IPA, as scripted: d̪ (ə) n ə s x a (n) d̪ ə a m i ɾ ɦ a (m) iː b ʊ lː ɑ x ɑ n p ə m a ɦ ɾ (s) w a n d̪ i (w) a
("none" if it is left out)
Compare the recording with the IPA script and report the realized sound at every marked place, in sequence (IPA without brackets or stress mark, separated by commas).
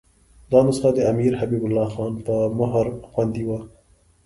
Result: ɑ, none, b, x, w